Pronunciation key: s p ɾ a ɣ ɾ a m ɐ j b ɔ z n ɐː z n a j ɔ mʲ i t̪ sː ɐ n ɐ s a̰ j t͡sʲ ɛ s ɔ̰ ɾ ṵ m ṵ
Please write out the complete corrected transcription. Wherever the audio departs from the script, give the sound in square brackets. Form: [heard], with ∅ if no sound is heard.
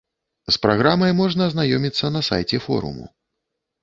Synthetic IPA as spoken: s p ɾ a ɣ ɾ a m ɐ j [m] ɔ [ʐ] n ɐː z n a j ɔ mʲ i t̪ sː ɐ n ɐ s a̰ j t͡sʲ ɛ [f] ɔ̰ ɾ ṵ m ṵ